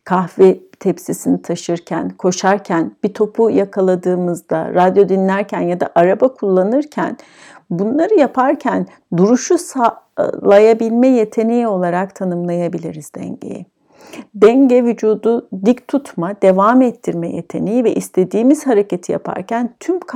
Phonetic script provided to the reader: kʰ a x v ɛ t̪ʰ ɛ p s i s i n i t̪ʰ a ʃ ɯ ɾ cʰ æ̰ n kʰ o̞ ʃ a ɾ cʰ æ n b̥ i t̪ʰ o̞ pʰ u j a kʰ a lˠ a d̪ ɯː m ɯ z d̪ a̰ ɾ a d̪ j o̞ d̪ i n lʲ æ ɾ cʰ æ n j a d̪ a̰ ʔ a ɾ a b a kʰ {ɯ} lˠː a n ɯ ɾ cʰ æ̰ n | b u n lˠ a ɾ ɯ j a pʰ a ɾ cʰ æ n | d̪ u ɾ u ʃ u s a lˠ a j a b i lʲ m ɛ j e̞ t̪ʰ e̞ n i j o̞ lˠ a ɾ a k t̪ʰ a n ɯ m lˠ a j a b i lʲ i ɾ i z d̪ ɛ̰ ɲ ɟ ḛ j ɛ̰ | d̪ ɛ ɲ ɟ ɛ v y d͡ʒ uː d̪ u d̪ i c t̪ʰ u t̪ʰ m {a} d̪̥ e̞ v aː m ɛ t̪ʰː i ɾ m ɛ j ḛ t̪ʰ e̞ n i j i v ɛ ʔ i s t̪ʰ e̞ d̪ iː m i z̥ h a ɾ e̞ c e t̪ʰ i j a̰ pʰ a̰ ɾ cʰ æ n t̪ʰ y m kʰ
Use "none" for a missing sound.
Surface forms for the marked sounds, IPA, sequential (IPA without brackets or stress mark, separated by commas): u, a